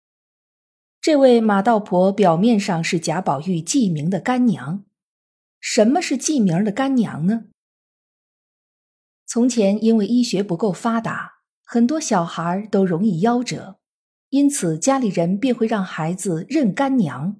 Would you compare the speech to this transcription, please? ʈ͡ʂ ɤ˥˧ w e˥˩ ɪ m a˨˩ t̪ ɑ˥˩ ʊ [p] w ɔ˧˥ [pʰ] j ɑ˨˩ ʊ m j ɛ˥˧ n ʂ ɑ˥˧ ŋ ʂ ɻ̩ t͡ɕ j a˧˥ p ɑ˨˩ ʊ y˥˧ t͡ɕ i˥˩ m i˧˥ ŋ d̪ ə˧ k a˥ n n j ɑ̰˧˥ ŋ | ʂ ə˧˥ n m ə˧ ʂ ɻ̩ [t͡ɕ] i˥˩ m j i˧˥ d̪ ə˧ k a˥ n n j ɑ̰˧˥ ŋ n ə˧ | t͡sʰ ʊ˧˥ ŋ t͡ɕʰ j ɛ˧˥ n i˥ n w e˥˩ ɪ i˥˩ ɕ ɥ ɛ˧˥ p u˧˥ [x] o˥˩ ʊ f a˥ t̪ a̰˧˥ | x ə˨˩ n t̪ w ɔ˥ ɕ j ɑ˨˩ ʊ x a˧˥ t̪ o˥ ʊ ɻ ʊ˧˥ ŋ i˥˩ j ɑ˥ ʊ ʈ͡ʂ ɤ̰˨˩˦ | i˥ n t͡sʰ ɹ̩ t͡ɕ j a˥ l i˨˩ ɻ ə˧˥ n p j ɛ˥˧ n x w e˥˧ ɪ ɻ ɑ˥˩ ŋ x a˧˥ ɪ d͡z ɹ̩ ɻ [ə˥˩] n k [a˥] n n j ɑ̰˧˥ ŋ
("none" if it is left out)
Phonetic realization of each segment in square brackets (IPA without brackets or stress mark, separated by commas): pʰ, p, t͡ɕ, k, ə˥˩, a˥